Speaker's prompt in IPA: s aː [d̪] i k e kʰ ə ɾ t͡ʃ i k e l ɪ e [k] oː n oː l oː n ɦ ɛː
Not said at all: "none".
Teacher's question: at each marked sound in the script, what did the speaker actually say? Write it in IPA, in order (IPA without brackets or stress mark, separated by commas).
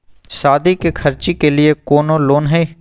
d̪, k